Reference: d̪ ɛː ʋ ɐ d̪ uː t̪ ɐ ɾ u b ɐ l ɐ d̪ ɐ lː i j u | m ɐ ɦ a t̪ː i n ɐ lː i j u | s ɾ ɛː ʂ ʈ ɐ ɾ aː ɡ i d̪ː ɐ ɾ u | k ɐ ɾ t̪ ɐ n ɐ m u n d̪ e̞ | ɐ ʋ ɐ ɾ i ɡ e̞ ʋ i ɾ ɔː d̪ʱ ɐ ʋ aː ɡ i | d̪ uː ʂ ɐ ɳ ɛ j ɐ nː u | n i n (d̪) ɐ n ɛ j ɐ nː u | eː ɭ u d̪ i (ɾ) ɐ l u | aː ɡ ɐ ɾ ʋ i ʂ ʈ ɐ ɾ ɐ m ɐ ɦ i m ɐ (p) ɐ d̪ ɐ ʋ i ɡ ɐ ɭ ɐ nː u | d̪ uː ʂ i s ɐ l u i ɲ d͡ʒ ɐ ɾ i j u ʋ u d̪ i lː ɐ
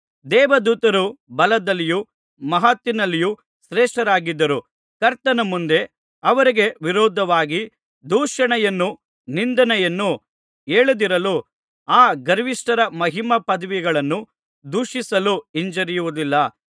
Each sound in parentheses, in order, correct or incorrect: correct, correct, correct

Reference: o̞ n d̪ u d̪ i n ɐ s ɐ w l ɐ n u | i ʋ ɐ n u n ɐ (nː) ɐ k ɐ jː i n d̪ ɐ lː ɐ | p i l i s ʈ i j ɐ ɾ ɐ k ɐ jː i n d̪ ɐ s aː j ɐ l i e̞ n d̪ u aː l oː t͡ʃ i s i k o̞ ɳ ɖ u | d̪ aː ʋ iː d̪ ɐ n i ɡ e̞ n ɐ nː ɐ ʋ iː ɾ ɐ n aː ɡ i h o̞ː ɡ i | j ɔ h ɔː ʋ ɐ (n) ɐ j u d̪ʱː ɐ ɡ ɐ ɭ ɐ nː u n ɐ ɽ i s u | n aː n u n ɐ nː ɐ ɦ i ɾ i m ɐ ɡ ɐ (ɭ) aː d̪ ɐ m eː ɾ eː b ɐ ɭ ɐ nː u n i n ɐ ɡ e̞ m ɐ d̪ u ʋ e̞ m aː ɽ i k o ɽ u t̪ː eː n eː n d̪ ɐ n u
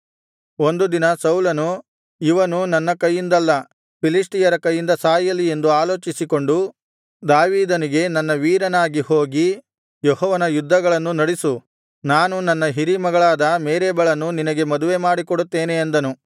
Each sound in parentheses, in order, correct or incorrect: correct, correct, correct

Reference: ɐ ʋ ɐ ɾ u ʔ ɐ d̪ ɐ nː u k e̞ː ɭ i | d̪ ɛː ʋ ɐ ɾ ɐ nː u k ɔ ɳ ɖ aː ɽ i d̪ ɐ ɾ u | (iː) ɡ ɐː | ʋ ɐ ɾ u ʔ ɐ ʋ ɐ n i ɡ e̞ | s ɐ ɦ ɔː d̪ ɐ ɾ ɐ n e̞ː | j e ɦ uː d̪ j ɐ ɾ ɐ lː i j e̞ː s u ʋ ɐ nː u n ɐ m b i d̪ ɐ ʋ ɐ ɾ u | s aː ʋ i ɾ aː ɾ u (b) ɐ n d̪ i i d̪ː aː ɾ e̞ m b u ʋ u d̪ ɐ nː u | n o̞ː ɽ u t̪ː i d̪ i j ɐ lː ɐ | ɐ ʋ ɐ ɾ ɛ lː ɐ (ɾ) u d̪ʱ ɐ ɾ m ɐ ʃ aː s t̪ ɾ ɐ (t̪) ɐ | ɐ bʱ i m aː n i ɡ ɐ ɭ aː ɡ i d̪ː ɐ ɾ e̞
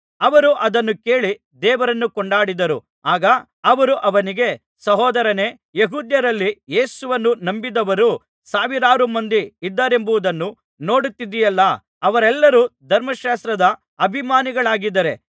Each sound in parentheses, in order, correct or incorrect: incorrect, incorrect, correct, incorrect

